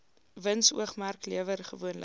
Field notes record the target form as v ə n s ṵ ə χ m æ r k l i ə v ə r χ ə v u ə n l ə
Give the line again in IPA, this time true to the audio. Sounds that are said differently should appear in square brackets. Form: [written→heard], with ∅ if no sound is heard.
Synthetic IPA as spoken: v ə n s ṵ ə χ m æ r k l i ə v ə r χ ə v u ə n l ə